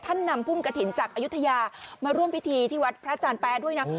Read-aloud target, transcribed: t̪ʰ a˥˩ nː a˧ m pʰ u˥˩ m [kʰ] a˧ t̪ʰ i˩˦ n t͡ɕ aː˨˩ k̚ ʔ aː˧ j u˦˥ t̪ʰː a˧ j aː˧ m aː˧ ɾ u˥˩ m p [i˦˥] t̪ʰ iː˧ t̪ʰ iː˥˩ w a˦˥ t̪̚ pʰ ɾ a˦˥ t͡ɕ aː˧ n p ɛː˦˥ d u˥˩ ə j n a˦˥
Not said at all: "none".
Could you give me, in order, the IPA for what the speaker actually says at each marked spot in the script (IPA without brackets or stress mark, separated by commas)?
k, i˦˥